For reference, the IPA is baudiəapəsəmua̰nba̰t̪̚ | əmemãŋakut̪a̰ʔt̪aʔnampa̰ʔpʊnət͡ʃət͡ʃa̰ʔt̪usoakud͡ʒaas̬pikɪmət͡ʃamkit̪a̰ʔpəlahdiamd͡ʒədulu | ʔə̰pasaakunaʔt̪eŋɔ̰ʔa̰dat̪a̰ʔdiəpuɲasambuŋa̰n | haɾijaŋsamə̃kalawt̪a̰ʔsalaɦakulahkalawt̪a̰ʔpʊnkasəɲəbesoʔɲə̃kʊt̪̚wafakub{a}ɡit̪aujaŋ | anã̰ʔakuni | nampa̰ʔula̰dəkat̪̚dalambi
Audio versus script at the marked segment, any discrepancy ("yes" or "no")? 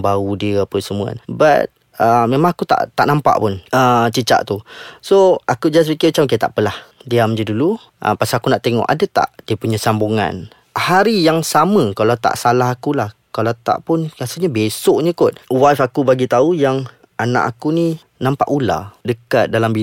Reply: no